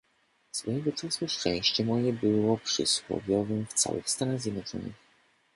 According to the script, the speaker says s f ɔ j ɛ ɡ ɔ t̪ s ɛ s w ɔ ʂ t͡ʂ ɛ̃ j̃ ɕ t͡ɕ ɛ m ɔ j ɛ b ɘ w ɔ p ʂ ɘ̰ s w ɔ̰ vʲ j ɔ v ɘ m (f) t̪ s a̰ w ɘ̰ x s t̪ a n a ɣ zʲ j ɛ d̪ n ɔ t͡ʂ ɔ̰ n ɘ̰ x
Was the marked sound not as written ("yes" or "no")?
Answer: no